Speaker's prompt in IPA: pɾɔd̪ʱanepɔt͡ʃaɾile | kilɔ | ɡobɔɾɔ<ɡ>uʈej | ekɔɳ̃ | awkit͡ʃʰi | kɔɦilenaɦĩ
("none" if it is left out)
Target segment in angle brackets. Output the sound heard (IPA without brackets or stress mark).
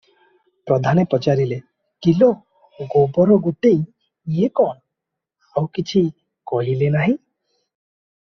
ɡ